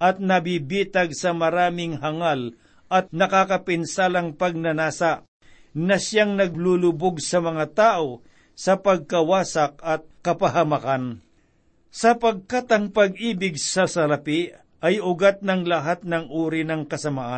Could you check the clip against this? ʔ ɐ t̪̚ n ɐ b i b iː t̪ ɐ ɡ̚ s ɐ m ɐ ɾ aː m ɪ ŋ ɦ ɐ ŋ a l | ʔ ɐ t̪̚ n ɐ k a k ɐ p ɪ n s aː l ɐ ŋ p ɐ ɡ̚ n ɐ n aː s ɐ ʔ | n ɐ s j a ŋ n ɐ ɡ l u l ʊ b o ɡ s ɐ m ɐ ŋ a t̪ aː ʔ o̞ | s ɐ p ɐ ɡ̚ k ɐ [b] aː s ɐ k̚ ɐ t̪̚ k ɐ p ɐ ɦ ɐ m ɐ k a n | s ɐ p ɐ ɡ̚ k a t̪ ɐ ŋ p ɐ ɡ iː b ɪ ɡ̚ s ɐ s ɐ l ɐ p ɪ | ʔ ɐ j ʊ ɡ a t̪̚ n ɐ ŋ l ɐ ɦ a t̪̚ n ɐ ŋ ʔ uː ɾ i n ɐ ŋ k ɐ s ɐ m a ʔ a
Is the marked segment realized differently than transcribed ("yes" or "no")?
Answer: yes